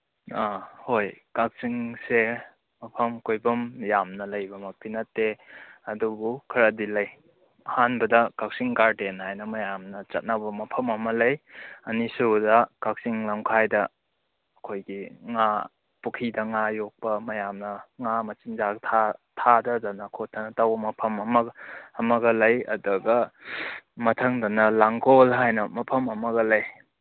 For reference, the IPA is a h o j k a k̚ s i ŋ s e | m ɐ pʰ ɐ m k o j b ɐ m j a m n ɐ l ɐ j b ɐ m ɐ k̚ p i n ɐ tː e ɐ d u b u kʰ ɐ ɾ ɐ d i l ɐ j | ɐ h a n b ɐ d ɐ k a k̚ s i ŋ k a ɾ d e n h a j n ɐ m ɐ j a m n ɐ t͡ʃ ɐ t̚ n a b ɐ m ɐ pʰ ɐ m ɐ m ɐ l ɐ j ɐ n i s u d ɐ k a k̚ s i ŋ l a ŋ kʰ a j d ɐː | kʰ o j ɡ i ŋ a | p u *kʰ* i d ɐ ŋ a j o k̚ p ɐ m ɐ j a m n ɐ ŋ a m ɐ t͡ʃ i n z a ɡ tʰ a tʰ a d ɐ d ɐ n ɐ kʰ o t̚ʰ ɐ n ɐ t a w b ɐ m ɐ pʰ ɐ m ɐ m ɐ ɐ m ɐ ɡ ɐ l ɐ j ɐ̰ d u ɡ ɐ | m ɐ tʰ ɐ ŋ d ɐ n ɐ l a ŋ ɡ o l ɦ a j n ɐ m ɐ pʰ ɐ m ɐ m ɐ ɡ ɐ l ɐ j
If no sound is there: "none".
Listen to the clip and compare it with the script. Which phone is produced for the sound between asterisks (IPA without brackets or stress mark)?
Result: kʰ